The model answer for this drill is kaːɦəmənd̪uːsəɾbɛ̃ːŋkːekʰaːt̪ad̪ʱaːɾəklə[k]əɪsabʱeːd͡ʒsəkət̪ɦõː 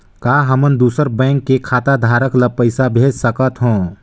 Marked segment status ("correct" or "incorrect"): incorrect